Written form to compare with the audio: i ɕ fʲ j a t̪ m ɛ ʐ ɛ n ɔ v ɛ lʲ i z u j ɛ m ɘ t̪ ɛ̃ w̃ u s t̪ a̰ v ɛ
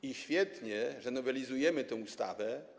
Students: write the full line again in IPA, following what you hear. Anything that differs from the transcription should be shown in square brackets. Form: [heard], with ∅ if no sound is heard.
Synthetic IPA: i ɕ fʲ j [ɛ] t̪ [ɲ] ɛ ʐ ɛ n ɔ v ɛ lʲ i z u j ɛ m ɘ t̪ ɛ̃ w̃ u s t̪ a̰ v ɛ